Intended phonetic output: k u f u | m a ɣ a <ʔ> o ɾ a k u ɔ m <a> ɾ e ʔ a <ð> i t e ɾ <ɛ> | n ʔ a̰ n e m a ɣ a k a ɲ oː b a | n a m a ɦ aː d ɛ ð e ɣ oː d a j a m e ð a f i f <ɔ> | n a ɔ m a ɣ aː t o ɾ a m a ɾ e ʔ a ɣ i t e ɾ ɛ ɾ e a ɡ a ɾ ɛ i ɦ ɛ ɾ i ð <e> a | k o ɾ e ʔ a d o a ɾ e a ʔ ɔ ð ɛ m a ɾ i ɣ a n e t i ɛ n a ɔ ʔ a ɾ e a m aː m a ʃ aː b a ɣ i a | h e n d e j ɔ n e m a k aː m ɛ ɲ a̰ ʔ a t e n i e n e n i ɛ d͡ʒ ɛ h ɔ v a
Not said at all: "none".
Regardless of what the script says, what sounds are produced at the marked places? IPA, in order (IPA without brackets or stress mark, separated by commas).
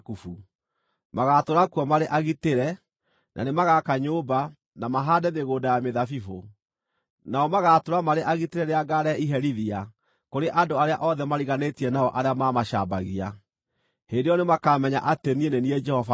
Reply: t, a, ɣ, ɛ, o, i